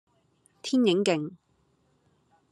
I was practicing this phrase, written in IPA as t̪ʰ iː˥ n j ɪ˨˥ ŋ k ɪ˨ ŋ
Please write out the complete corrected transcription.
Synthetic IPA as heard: t̪ʰ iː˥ n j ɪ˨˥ ŋ k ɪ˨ ŋ